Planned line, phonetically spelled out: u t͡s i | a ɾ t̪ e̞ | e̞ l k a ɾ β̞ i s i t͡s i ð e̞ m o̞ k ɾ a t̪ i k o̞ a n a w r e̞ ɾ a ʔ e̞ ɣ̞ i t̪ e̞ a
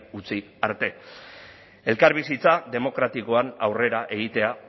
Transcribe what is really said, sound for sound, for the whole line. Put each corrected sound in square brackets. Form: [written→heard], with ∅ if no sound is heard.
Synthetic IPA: u t͡s i | a ɾ t̪ e̞ | e̞ l k a ɾ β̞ i s i t͡s [i→a] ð e̞ m o̞ k ɾ a t̪ i k o̞ a n a w r e̞ ɾ a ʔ e̞ ɣ̞ i t̪ e̞ a